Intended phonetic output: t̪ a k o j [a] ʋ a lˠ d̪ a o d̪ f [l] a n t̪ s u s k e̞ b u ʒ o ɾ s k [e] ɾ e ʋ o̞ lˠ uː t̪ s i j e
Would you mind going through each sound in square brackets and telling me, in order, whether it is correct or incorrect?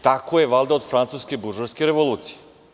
incorrect: e, incorrect: ɾ, correct

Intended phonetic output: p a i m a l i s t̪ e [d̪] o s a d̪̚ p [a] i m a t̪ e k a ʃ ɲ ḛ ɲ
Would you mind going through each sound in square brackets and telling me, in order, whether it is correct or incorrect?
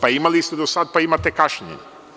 correct, correct

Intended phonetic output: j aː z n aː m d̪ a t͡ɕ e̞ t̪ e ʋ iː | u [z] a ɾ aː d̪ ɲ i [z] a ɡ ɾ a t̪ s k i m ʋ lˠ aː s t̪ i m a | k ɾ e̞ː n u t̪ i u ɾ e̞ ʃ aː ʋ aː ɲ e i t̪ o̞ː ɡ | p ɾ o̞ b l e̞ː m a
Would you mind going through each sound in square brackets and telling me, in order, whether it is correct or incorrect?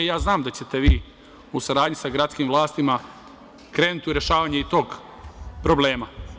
incorrect: s, incorrect: s

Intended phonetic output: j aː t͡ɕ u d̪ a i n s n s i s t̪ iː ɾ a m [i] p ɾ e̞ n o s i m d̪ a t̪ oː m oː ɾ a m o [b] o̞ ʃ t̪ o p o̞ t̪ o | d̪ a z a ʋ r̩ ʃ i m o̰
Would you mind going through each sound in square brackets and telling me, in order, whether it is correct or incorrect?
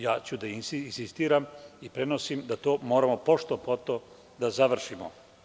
correct, incorrect: p

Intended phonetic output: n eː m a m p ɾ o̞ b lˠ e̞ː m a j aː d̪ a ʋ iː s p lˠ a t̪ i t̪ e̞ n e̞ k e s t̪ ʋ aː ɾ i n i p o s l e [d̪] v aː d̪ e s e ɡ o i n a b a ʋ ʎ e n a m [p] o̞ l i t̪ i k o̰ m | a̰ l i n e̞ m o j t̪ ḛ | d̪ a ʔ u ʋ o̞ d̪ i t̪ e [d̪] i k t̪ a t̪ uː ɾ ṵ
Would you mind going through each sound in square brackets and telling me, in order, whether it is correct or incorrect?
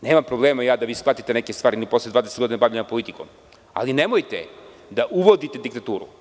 correct, correct, correct

